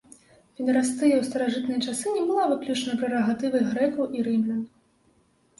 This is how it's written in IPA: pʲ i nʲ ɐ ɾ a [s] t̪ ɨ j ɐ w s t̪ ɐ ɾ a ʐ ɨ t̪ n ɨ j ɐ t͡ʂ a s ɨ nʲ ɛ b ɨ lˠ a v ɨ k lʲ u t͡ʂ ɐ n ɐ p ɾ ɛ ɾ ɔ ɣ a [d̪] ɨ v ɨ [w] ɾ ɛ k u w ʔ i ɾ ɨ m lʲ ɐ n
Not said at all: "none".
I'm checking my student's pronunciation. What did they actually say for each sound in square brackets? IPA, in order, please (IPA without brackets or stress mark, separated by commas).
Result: s, t̪, ɣ